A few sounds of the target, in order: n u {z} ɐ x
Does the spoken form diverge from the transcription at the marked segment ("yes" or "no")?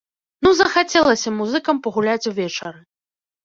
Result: no